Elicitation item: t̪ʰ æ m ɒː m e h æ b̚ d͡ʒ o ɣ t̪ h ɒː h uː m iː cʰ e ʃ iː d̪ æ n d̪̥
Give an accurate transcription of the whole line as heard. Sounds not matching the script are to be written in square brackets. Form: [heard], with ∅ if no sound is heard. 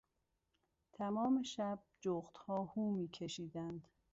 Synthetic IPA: t̪ʰ æ m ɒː m e [ʃ] æ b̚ d͡ʒ o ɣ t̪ h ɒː h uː m iː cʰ e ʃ iː d̪ æ n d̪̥